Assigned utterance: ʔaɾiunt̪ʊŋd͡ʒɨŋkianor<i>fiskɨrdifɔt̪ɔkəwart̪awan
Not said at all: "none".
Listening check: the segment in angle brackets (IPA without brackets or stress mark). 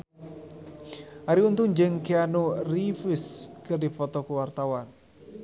i